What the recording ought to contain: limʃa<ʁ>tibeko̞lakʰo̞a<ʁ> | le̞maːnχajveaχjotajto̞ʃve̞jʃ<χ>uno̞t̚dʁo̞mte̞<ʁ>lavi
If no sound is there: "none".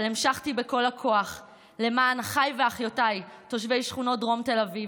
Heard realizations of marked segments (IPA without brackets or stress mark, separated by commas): χ, χ, χ, none